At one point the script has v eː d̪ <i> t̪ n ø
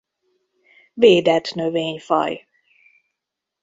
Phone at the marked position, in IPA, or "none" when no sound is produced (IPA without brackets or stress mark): ɛ